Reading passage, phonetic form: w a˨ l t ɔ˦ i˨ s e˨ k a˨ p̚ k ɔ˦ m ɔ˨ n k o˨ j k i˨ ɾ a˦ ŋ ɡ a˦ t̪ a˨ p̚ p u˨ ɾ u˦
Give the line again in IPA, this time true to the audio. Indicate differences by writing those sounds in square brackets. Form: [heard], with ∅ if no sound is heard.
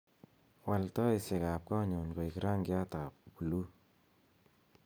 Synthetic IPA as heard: w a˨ l t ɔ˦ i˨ s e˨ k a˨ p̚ k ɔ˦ [ɲ] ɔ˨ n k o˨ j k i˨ ɾ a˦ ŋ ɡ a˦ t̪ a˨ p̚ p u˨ [l] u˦